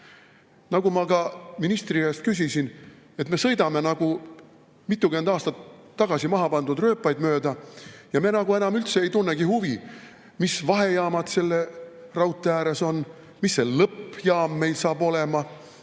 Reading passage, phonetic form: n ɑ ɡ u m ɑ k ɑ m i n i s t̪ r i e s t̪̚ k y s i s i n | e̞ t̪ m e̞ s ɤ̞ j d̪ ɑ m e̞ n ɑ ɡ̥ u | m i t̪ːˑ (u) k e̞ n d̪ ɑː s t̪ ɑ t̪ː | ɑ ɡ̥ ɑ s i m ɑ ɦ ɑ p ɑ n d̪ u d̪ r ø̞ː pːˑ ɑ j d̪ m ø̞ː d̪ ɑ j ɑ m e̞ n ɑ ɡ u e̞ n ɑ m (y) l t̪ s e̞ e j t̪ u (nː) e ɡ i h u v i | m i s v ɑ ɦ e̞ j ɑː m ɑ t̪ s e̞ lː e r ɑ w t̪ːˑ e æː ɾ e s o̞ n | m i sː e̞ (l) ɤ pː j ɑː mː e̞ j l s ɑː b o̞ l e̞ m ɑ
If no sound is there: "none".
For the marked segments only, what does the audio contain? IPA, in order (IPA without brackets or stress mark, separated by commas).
u, y, nː, l